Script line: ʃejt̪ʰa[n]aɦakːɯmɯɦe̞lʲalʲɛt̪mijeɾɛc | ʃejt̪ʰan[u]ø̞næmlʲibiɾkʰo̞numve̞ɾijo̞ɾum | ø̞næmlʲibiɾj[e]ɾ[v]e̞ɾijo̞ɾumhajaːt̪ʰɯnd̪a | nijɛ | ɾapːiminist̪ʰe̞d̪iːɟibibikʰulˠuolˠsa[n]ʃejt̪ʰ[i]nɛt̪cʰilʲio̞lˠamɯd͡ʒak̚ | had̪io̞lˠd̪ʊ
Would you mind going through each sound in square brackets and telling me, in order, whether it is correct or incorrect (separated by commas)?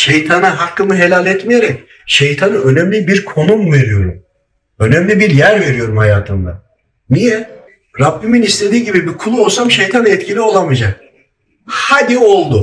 correct, incorrect, incorrect, correct, incorrect, incorrect